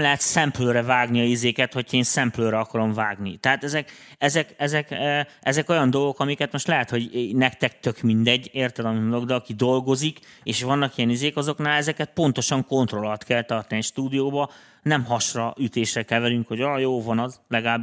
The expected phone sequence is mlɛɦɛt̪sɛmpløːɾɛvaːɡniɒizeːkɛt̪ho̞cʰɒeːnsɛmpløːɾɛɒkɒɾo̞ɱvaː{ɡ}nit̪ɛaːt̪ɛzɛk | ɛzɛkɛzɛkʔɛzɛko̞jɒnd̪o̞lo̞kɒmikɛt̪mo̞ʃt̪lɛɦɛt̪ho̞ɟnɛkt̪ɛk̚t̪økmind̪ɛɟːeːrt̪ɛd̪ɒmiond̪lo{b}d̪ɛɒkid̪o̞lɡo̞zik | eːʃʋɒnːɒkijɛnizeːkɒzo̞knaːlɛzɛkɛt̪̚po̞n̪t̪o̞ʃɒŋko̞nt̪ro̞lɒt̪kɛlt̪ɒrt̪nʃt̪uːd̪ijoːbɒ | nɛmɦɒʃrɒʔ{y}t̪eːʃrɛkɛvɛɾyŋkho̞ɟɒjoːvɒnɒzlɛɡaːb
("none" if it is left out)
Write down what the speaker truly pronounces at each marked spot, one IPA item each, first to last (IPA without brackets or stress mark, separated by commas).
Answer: ɡ, ɡ, y